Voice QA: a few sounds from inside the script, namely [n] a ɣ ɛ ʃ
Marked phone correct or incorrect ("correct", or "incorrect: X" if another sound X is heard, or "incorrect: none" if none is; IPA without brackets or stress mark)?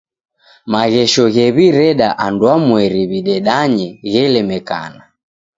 incorrect: m